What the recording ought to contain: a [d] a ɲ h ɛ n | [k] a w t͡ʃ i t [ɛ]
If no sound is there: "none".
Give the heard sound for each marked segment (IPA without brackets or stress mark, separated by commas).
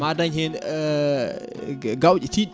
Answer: d, ɡ, i